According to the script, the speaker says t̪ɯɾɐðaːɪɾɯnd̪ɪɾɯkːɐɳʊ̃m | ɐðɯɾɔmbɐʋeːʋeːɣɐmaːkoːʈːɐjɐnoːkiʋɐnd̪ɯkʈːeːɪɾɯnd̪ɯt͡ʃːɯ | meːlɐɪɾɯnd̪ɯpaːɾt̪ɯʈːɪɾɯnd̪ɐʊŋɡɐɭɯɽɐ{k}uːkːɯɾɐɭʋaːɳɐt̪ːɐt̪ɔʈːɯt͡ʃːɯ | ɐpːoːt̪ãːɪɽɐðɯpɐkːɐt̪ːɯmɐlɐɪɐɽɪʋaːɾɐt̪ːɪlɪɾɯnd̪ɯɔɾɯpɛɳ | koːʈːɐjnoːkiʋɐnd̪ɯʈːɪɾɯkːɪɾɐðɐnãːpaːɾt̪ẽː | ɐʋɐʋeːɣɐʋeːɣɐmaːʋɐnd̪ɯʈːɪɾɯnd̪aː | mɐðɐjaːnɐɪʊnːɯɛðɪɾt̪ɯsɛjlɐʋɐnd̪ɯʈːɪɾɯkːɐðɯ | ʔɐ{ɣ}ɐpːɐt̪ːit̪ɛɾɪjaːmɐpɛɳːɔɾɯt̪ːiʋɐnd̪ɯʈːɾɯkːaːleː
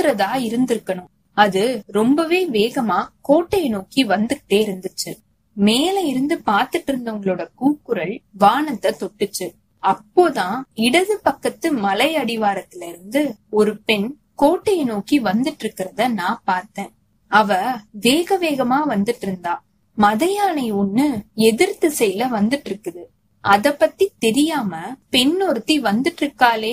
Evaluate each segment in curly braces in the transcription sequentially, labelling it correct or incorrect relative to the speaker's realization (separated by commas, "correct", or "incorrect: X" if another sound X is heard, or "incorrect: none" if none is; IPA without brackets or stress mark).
correct, incorrect: ð